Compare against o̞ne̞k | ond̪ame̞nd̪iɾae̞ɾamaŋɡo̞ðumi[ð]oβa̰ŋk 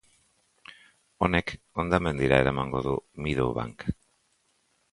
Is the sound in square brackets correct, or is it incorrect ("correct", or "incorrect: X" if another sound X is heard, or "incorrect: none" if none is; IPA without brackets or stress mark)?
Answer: correct